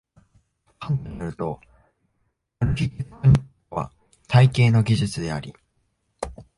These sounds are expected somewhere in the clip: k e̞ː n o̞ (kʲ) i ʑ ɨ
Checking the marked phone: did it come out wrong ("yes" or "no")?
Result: yes